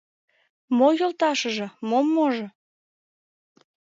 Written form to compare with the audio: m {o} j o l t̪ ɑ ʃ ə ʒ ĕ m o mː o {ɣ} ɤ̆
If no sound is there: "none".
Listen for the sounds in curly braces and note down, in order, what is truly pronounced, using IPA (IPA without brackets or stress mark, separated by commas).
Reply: o, ʒ